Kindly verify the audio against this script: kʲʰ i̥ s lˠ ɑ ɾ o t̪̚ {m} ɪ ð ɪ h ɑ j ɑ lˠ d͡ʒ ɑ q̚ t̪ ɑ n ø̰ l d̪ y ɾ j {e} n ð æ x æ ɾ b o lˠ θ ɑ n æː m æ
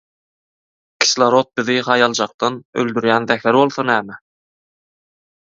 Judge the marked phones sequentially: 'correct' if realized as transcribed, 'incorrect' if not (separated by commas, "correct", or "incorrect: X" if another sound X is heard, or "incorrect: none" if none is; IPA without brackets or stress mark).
incorrect: b, incorrect: æ